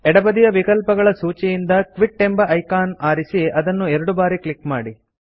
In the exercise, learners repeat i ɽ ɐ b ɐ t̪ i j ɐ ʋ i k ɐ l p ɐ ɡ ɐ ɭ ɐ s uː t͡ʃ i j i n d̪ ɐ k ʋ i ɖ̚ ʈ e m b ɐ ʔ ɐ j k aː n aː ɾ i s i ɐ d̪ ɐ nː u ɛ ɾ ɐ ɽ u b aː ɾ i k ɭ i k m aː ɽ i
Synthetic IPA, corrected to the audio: ɛ ɽ ɐ b ɐ d̪ i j ɐ ʋ i k ɐ l p ɐ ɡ ɐ ɭ ɐ s uː t͡ʃ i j i n d̪ ɐ k ʋ i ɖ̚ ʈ e m b ɐ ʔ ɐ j k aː n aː ɾ i s i ɐ d̪ ɐ nː u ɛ ɾ ɐ ɽ u b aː ɾ i k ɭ i k m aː ɽ i